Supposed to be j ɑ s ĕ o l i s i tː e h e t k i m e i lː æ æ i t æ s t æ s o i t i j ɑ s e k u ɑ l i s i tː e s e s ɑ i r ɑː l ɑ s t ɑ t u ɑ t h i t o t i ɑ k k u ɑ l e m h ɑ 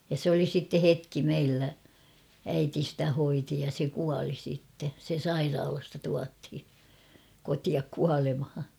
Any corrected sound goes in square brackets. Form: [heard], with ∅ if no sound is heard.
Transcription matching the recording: j ɑ s ĕ o l i s i tː e h e t k i m e i lː æ æ i t [i] s t æ [h] o i t i j ɑ s e k u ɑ l i s i tː e s e s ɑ i r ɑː l ɑ s t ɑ t u ɑ t h i [k] o t i ɑ k k u ɑ l e m h ɑ

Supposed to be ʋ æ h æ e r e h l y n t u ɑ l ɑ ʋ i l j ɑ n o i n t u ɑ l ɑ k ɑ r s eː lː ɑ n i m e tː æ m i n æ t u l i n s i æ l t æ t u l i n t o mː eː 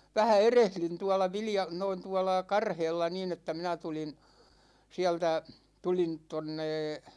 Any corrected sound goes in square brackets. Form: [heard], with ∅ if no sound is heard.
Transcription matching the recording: ʋ æ h æ e r e h l y n t u ɑ l ɑ ʋ i l j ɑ n o i n t u ɑ l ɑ k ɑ r [h] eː lː ɑ n i [n] e tː æ m i n æ t u l i n s i æ l t æ t u l i n t o [nː] eː

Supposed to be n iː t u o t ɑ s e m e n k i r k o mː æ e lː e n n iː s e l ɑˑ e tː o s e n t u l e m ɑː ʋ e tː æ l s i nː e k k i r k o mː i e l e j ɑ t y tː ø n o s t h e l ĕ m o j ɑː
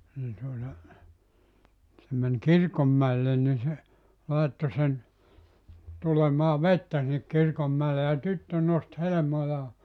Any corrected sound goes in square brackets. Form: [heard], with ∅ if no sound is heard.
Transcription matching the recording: n iː t u o t ɑ s e m e n k i r k o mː æ e lː e n n [i] s e l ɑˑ e tː o s e n t u l e m ɑː ʋ e tː æ [∅] s i nː e k k i r k o mː [æ] e l e j ɑ t y tː ø n o s t h e l ĕ m o j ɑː

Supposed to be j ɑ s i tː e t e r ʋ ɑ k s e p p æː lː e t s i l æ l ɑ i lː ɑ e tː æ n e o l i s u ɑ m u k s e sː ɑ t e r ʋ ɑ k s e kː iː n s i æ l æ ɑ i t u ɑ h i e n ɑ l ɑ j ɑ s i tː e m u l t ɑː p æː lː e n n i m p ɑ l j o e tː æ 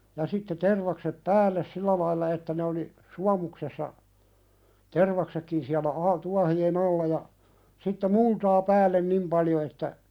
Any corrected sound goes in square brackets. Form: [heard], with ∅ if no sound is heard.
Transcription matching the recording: j ɑ s i tː e t e r ʋ ɑ k s e p p æː lː e [s] s i [lː] æ l ɑ i lː ɑ e tː æ n e o l i s u ɑ m u k s e sː ɑ t e r ʋ ɑ k s e kː [i] n s i æ l æ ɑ i t u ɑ h i e n ɑ [lː] ɑ j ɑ s i tː e m u l t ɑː p æː lː e n n i m p ɑ l j o e tː æ

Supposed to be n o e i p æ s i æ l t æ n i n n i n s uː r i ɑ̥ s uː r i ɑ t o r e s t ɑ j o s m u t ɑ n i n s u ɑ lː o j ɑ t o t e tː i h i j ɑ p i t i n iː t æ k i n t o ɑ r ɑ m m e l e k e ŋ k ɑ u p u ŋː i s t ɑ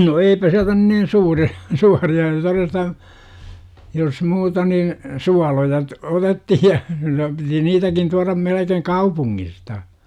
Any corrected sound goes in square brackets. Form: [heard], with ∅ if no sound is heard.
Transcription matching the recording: n o e i p æ s i æ l t æ n [y] n n i n s uː r i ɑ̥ s uː r i ɑ t o r e s t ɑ j o s m [uː] t ɑ n i n s u ɑ [l] o j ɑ t o t e tː i h i j ɑ p i t i n iː t æ k i n t [u] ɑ r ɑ m m e l e k e ŋ k ɑ u p u ŋː i s t ɑ

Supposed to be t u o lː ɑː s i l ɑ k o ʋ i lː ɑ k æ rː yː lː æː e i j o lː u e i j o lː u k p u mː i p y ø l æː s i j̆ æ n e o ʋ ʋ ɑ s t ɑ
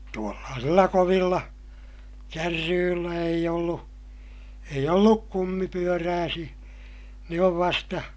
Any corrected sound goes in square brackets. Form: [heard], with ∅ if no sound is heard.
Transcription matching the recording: t u o lː ɑː s i [lː] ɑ k o ʋ i lː ɑ k æ rː yː lː [æ] e i j o lː u e i j o lː u k [k] u mː i p y ø [r] æː s i j̆ æ n e o ʋ ʋ ɑ s t ɑ

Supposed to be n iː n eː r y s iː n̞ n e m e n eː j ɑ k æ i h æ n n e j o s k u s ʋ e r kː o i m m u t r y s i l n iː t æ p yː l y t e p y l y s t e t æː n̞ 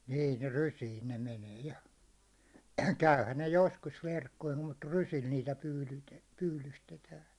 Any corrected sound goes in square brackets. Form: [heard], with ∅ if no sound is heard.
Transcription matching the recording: n iː n [e] r y s iː n̞ n e m e n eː j ɑ k æ [y] h æ n n e j o s k u s ʋ e r kː o i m m u t r y s i l n iː t æ p yː l y t e p [yː] l y s t e t æː n̞

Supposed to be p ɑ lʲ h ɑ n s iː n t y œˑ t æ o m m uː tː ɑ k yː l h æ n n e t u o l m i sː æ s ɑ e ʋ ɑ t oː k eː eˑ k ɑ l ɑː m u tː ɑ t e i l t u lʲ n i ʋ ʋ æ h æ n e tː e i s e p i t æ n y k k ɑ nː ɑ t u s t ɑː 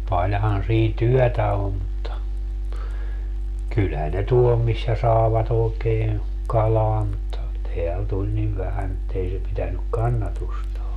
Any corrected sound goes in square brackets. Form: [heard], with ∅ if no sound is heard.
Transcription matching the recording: p ɑ lʲ h ɑ n s iː n t y œˑ t æ o m m [u] tː ɑ k [y] l h æ n n e t u o l m i sː æ s ɑ e ʋ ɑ t oː k eː eˑ k ɑ l ɑː m u tː ɑ t e [æ] l t u lʲ n i ʋ ʋ æ h æ n e tː e i s e p i t æ n y k k ɑ nː ɑ t u s t ɑː

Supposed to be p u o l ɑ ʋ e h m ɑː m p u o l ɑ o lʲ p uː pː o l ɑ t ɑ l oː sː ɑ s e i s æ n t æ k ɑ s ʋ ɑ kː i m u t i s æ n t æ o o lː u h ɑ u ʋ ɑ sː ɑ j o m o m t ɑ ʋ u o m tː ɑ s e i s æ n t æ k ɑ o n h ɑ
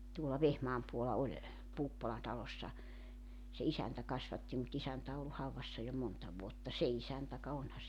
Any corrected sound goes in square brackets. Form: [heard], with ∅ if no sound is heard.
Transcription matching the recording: [t] u o l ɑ ʋ e h m ɑː m p u o l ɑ o lʲ p uː pː o l ɑ t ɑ l [o] sː ɑ s e i s æ n t æ k ɑ s ʋ ɑ [tː] i m u t i s æ n t æ o o lː u h ɑ u ʋ ɑ sː ɑ j o m o [n] t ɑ ʋ u o [∅] tː ɑ s e i s æ n t æ k ɑ o n h ɑ

